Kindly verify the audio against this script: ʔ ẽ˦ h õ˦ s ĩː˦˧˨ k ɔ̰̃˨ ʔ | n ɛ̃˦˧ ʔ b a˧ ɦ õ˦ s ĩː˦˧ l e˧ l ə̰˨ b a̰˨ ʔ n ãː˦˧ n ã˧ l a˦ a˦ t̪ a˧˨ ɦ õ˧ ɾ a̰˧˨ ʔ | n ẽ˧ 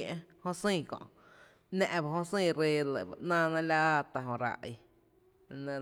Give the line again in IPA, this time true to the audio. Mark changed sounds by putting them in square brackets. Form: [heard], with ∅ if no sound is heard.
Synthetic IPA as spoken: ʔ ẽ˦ h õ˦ s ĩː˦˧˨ k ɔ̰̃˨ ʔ | n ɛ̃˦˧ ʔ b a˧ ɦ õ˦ s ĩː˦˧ [ɾ] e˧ l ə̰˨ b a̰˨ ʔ n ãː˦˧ n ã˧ l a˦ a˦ t̪ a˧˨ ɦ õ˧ ɾ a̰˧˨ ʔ | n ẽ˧